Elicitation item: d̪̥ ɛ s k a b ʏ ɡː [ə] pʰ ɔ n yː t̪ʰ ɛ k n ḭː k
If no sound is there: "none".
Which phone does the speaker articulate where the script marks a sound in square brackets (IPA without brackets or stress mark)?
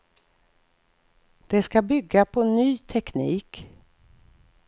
a